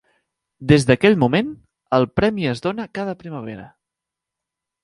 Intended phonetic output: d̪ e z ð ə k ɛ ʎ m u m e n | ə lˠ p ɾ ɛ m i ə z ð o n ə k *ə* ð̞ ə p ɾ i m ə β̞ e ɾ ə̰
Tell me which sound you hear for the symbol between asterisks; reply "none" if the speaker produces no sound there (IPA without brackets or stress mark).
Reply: a